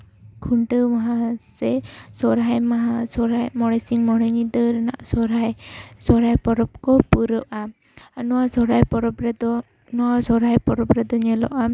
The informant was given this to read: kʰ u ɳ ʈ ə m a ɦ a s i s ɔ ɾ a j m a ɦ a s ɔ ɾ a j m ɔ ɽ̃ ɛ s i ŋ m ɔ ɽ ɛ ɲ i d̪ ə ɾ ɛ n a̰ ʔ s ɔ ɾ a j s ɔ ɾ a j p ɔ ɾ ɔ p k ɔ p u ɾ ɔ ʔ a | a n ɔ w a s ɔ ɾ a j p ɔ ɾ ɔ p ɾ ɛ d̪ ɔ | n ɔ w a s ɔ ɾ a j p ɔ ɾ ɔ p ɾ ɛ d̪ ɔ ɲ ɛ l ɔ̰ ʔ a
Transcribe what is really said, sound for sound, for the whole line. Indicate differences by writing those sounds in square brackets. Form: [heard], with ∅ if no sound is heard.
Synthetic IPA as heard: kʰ u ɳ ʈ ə m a ɦ a s [ɛ] s ɔ ɾ a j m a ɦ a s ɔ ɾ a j m ɔ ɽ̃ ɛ s i ŋ m ɔ ɽ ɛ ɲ i d̪ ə ɾ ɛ n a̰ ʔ s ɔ ɾ a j s ɔ ɾ a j p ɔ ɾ ɔ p k ɔ p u ɾ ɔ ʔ a | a n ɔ w a s ɔ ɾ a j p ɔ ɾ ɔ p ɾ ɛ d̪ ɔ | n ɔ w a s ɔ ɾ a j p ɔ ɾ ɔ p ɾ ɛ d̪ ɔ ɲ ɛ l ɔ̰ ʔ a